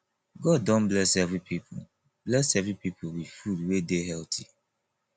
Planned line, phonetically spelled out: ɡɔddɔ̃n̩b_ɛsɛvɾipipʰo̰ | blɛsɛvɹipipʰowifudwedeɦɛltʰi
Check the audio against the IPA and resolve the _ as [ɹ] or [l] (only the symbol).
l